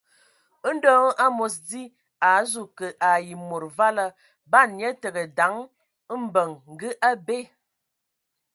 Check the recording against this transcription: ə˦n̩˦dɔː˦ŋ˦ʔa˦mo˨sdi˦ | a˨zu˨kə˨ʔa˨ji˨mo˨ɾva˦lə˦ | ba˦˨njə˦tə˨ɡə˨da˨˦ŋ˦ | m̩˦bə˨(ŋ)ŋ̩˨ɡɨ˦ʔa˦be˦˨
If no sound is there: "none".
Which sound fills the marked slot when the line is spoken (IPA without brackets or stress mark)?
ŋ